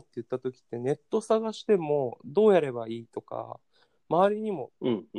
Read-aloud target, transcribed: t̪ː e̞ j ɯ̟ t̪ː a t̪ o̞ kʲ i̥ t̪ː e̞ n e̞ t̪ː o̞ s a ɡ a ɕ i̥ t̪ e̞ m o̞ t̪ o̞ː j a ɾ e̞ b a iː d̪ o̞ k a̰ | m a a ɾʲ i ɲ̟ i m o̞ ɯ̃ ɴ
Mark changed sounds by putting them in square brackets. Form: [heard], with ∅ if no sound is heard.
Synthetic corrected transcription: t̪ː e̞ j ɯ̟ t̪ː a t̪ o̞ kʲ i̥ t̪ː e̞ n e̞ t̪ː o̞ s a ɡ a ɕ i̥ t̪ e̞ m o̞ [d̪] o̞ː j a ɾ e̞ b a iː [t̪] o̞ k a̰ | m a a ɾʲ i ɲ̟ i m o̞ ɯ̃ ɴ